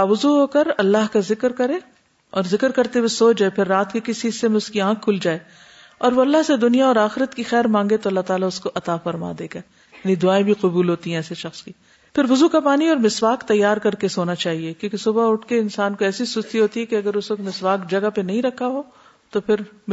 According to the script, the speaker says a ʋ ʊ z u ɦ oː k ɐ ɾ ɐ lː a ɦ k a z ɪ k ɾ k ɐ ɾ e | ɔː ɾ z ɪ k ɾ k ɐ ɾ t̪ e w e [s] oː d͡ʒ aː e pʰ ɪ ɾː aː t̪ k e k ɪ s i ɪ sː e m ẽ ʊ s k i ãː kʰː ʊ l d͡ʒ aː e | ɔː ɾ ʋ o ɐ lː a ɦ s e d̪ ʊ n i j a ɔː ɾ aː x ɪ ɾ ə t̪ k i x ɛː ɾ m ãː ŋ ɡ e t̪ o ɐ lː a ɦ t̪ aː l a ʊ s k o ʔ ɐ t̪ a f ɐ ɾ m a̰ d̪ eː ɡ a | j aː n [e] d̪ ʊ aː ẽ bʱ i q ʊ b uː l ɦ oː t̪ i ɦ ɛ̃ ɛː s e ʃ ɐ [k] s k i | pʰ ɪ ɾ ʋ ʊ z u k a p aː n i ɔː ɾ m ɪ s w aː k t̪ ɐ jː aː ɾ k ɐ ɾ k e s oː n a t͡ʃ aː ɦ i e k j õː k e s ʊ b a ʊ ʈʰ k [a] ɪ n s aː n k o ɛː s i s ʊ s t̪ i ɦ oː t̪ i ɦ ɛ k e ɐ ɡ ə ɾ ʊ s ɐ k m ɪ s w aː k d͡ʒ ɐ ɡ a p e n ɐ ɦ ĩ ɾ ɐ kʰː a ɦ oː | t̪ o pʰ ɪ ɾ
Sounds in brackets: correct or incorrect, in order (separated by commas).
correct, incorrect, incorrect, incorrect